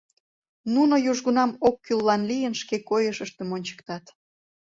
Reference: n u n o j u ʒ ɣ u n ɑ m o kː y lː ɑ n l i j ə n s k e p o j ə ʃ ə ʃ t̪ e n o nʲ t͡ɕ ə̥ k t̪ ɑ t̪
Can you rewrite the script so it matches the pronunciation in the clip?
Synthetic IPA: n u n o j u ʒ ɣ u n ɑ m o kː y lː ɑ n l i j ə n ʃ k e k o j ə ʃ ə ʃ t̪ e m o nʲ t͡ɕ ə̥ k t̪ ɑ t̪